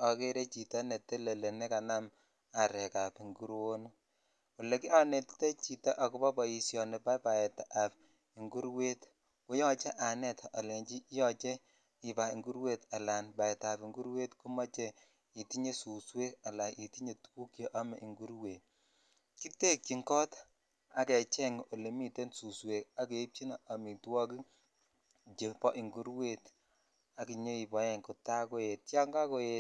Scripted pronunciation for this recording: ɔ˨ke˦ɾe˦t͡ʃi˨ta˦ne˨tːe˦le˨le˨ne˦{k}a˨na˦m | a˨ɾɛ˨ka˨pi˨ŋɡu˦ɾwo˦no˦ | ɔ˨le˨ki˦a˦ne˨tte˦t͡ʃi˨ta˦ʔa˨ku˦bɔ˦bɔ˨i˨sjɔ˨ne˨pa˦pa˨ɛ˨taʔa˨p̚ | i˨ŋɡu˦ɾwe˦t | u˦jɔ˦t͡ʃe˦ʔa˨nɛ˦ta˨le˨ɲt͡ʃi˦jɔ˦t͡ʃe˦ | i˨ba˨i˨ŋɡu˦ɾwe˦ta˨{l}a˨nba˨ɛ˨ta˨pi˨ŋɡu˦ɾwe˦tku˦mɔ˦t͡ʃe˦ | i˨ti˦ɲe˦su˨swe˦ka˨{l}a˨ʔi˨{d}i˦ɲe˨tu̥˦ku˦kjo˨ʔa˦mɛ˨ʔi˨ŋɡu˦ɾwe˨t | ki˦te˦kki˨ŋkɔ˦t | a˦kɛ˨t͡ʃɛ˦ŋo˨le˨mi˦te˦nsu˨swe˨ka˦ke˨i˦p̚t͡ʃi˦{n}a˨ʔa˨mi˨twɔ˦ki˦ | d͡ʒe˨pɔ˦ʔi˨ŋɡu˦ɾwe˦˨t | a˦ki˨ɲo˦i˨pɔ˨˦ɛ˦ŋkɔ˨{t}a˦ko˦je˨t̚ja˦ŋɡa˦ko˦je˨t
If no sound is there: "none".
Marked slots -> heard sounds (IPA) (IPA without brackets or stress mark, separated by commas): k, l, l, t, n, t